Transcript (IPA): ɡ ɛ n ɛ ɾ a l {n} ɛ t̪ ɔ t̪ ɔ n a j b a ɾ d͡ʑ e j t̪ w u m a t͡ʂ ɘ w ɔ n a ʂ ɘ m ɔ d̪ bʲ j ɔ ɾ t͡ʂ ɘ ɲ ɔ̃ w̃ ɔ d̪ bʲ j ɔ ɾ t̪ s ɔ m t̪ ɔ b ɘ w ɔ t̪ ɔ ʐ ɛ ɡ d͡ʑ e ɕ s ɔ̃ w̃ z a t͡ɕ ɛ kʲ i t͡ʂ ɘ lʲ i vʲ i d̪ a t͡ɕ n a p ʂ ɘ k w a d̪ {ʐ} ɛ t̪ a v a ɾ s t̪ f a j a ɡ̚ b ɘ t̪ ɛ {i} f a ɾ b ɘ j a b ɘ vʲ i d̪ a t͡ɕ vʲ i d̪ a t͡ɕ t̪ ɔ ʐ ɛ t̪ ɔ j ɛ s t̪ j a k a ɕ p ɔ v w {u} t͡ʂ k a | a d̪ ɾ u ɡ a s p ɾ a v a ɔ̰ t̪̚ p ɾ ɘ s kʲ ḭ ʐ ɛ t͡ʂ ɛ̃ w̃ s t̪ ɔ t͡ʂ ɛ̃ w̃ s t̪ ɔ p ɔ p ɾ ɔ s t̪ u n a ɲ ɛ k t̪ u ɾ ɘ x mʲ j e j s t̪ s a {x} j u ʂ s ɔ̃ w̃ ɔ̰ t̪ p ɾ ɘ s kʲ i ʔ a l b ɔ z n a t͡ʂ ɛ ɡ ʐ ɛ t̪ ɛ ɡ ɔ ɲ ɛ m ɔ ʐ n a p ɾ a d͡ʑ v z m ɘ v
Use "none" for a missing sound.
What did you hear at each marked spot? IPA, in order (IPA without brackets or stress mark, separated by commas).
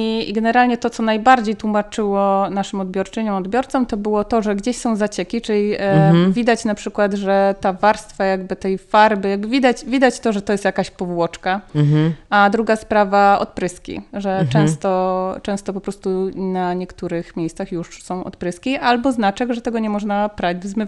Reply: ɲ, ʐ, j, ɔ, x